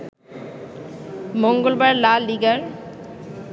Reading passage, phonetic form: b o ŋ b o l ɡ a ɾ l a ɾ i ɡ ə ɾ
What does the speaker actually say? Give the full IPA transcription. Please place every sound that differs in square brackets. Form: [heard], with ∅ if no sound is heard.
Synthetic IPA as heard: [m] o ŋ [ɡ] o l [b] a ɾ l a [l] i ɡ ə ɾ